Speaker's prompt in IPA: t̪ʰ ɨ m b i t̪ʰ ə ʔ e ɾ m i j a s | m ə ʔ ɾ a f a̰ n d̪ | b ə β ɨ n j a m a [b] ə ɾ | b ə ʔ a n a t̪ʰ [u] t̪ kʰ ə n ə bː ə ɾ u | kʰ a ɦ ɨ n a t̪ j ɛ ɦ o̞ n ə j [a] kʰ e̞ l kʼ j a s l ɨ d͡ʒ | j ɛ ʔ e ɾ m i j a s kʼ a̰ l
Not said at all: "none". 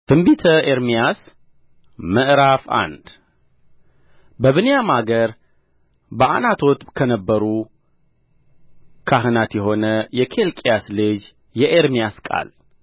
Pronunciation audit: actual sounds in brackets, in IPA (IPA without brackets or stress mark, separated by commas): ɡ, o, ɛ